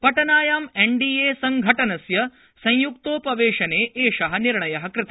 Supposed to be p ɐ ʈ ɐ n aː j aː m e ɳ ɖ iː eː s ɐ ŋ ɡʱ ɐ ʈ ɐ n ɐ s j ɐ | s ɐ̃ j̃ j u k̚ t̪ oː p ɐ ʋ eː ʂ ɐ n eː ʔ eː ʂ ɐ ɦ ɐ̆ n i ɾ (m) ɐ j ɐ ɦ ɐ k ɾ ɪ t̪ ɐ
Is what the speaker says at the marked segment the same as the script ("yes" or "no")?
no